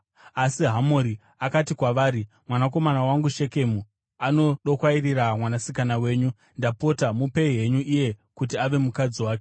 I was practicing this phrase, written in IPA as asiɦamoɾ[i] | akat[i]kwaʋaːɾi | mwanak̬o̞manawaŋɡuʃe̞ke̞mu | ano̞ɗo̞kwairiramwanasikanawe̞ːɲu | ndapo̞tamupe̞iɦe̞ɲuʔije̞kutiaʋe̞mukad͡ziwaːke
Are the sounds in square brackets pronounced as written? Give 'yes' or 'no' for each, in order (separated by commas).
yes, yes